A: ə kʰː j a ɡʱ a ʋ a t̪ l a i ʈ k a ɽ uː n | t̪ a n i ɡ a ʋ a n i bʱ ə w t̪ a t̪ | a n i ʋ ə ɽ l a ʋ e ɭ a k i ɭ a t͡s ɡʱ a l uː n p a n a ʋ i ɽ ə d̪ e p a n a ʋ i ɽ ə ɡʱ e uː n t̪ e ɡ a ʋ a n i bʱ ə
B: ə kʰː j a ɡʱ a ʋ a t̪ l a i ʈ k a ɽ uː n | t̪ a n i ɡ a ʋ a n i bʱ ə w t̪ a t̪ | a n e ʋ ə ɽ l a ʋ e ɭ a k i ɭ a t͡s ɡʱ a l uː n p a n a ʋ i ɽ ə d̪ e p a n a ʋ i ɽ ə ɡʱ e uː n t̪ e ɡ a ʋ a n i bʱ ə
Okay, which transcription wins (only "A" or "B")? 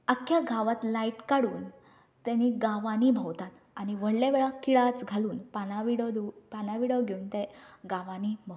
A